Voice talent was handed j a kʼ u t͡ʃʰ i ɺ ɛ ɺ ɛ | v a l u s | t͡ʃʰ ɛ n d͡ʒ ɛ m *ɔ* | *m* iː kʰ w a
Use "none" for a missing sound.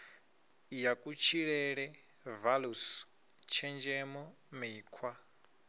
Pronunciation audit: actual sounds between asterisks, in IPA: ɔ, m

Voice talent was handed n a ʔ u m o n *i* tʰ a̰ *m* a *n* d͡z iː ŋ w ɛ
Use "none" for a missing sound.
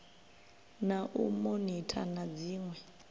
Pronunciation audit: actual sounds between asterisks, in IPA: i, n, none

